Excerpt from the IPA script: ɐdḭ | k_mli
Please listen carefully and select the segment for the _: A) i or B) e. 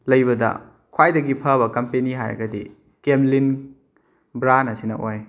B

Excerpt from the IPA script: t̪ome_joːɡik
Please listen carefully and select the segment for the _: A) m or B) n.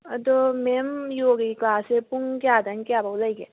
A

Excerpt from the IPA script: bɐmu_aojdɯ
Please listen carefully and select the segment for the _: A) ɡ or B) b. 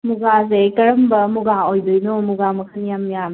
A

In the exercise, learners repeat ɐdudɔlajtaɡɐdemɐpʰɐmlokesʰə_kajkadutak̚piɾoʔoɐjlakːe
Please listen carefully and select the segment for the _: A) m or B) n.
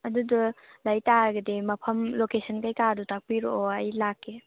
B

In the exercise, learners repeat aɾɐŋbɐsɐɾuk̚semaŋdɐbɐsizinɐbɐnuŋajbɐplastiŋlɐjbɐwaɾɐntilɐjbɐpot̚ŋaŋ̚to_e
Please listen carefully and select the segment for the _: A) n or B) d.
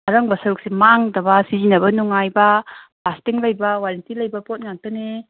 A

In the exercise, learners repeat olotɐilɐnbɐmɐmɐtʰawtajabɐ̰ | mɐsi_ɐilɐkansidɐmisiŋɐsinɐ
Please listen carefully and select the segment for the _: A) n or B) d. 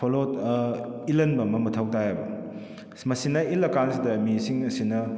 A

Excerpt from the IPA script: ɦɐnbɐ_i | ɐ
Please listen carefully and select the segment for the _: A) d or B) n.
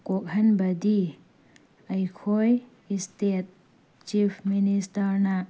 A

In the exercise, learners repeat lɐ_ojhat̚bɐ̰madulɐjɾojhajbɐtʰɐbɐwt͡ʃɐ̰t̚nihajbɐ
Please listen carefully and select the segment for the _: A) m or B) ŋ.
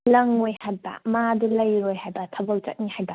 B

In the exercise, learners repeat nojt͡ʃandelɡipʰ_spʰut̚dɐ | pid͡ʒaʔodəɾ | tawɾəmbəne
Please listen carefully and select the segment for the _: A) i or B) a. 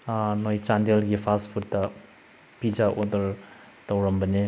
B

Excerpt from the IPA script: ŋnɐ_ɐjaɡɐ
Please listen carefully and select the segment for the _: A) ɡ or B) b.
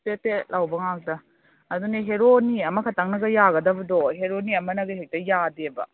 A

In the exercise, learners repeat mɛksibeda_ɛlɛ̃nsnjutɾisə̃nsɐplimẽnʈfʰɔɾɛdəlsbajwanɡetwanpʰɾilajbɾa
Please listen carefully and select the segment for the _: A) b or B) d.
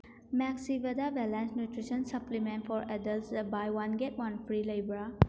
A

